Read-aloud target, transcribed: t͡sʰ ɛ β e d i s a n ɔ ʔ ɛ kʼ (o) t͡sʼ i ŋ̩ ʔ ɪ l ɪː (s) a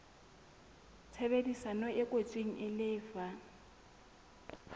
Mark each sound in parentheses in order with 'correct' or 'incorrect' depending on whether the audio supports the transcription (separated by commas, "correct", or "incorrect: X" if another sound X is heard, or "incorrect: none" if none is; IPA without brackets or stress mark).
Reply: correct, incorrect: f